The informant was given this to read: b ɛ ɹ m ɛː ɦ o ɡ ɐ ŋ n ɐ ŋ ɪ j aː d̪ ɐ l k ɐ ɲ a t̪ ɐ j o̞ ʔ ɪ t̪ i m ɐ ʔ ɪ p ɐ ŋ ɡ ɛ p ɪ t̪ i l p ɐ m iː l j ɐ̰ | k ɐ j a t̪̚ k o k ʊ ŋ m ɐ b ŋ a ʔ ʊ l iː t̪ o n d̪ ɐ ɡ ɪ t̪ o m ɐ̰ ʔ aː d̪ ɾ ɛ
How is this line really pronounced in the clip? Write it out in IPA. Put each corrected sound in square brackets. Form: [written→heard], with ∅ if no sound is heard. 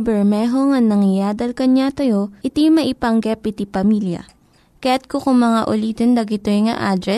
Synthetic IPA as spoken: b ɛ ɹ m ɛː ɦ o [ɡ→ŋ] ɐ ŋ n ɐ ŋ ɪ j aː d̪ ɐ l k ɐ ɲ a t̪ ɐ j o̞ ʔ ɪ t̪ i m ɐ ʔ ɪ p ɐ ŋ ɡ ɛ p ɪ t̪ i [l→∅] p ɐ m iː l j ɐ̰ | k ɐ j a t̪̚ k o k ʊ ŋ m ɐ [b→∅] ŋ a ʔ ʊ l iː t̪ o n d̪ ɐ ɡ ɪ t̪ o [m→ŋ] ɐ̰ ʔ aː d̪ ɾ ɛ